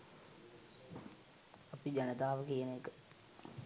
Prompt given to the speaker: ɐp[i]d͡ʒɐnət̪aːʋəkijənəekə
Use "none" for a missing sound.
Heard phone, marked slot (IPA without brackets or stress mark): i